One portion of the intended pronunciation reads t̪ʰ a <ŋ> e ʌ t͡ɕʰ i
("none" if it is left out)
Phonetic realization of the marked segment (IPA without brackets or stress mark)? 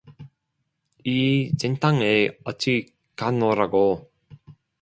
ŋ